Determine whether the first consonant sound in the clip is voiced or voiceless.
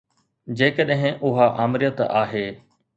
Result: voiced